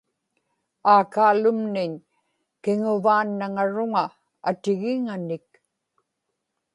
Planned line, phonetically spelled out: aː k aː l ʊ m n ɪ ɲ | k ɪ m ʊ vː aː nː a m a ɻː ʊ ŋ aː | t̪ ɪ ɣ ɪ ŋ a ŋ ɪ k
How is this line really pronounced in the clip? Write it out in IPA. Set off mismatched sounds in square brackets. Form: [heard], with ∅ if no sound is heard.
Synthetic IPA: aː k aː l ʊ m n ɪ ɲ | k ɪ [ŋ] ʊ [v] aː nː a [ŋ] a [ɻ] ʊ ŋ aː | t̪ ɪ ɣ ɪ ŋ a [n] ɪ k